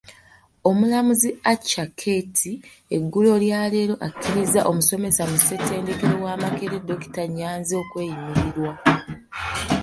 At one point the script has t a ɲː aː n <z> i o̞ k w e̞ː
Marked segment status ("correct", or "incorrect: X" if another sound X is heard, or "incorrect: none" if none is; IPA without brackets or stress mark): correct